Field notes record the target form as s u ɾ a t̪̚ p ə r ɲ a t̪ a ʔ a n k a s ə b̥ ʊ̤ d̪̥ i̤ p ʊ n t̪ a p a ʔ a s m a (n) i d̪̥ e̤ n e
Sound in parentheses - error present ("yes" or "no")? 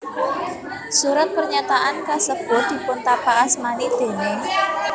no